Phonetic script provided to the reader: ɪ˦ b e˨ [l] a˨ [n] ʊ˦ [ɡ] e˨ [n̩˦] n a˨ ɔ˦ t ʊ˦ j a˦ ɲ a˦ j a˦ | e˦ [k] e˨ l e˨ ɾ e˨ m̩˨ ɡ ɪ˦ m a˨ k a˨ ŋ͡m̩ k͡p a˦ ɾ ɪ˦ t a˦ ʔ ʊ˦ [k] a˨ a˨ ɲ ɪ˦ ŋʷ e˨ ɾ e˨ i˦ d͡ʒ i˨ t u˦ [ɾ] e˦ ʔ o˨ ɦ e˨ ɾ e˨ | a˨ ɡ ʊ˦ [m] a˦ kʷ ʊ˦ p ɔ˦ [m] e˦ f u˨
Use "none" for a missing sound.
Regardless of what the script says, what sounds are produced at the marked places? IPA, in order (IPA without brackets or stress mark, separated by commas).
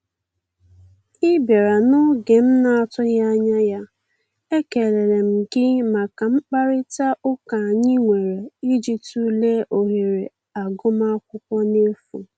ɾ, n, ɡ, m̩˦, k, k, l, m, n